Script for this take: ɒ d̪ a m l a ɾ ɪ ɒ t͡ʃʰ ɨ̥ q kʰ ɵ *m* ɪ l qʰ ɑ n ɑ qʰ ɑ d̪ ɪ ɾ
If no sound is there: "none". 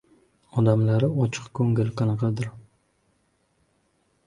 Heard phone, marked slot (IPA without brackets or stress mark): ŋ